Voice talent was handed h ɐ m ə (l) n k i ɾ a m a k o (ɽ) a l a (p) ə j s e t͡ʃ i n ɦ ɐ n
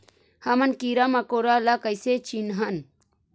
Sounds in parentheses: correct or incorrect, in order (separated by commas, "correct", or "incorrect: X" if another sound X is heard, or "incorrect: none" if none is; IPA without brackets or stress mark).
incorrect: none, incorrect: ɾ, incorrect: k